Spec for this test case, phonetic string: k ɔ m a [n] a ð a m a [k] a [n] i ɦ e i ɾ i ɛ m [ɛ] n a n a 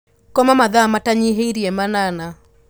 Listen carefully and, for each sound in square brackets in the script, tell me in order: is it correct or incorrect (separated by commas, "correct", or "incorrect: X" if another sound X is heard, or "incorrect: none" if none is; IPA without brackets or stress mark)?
incorrect: m, incorrect: t, incorrect: ɲ, incorrect: a